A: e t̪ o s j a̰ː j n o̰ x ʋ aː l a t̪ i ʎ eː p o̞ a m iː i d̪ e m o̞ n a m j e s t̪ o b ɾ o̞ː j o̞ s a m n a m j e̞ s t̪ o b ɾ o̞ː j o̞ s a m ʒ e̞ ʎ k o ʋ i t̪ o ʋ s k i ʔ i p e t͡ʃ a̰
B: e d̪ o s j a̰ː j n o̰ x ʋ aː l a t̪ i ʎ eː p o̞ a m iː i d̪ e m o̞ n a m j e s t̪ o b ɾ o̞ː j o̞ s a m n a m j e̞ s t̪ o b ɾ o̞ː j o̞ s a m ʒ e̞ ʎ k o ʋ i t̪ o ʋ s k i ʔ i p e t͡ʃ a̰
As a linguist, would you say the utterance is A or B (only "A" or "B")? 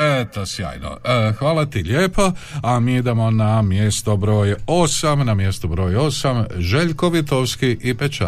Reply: A